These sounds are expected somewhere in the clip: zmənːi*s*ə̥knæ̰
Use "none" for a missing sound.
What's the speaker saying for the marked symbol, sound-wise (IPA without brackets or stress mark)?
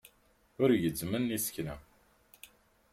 s